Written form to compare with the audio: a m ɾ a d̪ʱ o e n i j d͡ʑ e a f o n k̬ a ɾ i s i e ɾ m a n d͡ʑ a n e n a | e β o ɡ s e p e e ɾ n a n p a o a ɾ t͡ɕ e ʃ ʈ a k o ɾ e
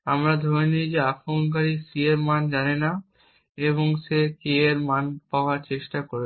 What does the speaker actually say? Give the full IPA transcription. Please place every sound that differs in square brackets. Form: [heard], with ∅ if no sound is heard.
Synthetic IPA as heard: a m ɾ a d̪ʱ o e n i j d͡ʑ e a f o n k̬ a ɾ i s i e ɾ m a n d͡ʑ a n e n a | e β o [ŋ] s e [k] e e ɾ [m] a n p a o a ɾ t͡ɕ e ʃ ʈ a k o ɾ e

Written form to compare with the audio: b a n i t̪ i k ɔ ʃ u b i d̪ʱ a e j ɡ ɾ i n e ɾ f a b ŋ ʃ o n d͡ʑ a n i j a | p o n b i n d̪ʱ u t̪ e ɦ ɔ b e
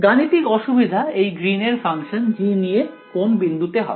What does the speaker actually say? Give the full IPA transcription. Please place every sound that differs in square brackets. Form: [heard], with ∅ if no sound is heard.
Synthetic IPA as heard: [ɡ] a n i t̪ i k ɔ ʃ u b i d̪ʱ a e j ɡ ɾ i n e ɾ f a [∅] ŋ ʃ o n d͡ʑ [i] n i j [e] | [k] o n b i n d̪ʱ u t̪ e ɦ ɔ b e

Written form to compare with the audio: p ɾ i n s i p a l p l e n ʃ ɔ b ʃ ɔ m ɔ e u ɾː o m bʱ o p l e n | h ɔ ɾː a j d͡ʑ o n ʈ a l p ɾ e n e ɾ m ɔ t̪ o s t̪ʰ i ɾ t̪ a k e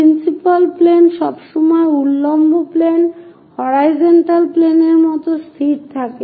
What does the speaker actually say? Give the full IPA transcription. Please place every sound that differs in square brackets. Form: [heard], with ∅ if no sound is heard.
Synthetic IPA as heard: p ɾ i n s i p a l p l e n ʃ ɔ b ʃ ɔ m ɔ e u [lː] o m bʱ o p l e n | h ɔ [ɾ] a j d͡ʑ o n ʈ a l p [l] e n e ɾ m ɔ t̪ o s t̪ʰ i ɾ [t̪ʰ] a k e

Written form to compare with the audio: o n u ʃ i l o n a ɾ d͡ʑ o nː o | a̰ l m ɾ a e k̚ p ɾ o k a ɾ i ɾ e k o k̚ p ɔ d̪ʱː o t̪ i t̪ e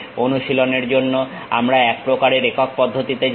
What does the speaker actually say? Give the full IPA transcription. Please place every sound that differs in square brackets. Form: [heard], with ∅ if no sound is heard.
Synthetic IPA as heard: o n u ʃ i l o n [e] ɾ d͡ʑ o nː o | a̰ [∅] m ɾ a [ɛ] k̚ p ɾ o k a ɾ [e] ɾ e k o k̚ p ɔ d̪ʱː o t̪ i t̪ e

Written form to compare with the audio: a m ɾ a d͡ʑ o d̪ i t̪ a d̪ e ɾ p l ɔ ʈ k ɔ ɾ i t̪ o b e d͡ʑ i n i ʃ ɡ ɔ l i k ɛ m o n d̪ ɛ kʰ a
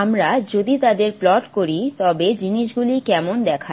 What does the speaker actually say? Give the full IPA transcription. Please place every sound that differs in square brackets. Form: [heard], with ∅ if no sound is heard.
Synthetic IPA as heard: a m ɾ a d͡ʑ o d̪ i t̪ a d̪ e ɾ p l ɔ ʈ k [o] ɾ i t̪ [ɔ] b e d͡ʑ i n i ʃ ɡ [u] l i k ɛ m o n d̪ ɛ kʰ a

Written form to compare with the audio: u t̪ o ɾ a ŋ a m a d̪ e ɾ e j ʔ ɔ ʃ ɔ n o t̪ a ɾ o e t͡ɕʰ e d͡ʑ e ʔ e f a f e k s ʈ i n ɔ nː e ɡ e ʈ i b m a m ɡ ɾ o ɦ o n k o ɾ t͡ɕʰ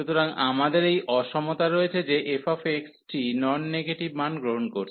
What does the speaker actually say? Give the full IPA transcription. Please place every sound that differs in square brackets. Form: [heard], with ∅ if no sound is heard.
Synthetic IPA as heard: u t̪ o ɾ a ŋ a m a d̪ e ɾ e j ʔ ɔ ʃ ɔ [m] o t̪ a ɾ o e t͡ɕʰ e d͡ʑ e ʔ e f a f e k s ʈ i n ɔ nː e ɡ e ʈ i b m a [n] ɡ ɾ o ɦ o n k o ɾ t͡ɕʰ

